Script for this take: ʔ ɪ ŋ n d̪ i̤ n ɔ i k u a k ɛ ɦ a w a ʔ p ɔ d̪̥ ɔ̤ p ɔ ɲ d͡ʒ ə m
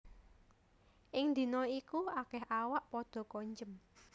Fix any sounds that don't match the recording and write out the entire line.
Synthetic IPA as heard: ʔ ɪ ŋ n d̪ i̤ n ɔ i k u a k ɛ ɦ a w a ʔ p ɔ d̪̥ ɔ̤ k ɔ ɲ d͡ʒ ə m